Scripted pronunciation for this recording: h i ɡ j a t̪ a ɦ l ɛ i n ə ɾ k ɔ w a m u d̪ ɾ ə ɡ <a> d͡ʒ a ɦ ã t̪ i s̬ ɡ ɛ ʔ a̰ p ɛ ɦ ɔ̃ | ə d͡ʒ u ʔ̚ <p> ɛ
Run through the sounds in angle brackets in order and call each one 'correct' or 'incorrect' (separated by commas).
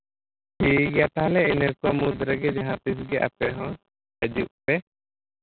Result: incorrect, correct